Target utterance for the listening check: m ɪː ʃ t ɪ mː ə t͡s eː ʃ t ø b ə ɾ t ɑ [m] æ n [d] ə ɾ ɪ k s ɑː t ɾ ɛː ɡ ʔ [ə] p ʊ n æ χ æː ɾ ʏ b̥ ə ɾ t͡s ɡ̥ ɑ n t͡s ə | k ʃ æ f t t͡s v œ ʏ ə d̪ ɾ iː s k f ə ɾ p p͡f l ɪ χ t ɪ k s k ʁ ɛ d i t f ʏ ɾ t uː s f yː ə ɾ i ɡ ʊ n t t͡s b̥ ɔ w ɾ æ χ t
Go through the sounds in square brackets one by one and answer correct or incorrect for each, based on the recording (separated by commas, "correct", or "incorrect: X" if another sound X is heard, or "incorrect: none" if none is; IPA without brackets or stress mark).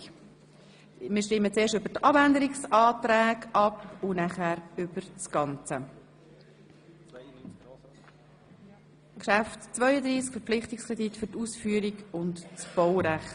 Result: incorrect: b, correct, incorrect: ɑ